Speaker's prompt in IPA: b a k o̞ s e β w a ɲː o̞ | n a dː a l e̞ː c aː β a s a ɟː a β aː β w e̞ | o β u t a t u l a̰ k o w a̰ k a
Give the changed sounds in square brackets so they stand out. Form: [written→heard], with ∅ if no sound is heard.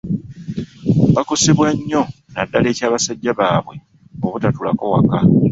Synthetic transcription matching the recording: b a k o̞ s e β w a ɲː o̞ | n a dː a l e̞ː c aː β a s a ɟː a β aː β w e̞ | o β u t a t u l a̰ k o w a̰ k a